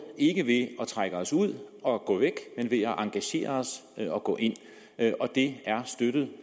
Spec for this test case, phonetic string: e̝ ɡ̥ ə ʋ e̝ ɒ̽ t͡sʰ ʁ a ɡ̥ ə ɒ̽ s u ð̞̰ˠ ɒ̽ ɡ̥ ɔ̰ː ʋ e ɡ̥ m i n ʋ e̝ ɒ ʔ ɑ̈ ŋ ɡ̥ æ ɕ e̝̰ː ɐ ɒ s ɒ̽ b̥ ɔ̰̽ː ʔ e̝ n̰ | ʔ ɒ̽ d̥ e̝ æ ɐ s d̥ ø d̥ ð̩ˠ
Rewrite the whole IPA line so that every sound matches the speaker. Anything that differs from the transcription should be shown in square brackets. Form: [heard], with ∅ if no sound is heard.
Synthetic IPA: e̝ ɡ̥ ə ʋ e̝ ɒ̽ t͡sʰ ʁ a ɡ̥ ə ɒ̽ s u ð̞̰ˠ ɒ̽ ɡ̥ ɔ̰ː ʋ e ɡ̥ m [e] n ʋ e̝ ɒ ʔ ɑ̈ ŋ ɡ̥ æ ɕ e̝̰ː ɐ ɒ s ɒ̽ [ɡ̥] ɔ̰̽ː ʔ e̝ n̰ | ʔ ɒ̽ d̥ e̝ æ ɐ s d̥ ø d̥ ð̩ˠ